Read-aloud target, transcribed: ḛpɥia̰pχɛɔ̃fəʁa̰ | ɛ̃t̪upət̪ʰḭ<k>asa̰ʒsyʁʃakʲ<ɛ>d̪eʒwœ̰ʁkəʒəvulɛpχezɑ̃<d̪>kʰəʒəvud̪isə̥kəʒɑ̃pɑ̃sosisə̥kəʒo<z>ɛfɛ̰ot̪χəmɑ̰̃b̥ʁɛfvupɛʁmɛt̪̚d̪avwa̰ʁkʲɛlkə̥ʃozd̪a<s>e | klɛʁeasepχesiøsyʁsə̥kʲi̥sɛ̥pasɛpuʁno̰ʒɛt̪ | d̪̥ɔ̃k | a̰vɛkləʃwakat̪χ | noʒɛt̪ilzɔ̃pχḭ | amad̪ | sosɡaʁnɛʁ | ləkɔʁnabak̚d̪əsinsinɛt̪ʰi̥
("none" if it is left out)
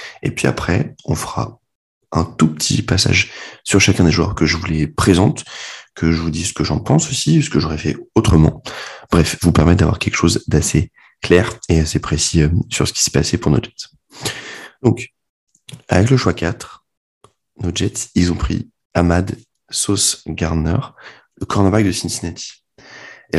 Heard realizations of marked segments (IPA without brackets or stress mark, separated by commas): p, ɛ̃, t̪, ʁ, s